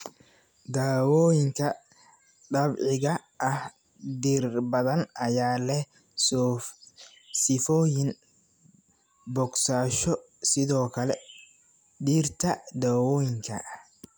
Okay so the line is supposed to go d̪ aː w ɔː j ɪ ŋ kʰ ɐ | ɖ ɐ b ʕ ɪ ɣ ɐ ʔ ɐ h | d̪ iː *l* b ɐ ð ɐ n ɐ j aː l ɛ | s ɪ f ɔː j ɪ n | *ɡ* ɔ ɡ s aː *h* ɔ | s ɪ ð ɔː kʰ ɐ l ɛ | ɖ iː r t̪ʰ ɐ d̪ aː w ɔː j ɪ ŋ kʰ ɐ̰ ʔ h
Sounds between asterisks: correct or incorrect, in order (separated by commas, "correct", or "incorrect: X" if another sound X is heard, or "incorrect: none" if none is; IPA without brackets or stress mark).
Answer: incorrect: r, incorrect: b, incorrect: ʃ